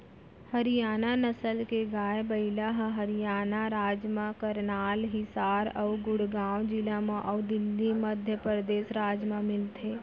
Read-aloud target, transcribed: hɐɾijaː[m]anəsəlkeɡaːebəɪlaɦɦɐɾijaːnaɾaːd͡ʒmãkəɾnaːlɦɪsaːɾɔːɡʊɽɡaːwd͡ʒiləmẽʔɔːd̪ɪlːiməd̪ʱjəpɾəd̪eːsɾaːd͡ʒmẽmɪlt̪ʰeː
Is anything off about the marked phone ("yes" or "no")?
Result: yes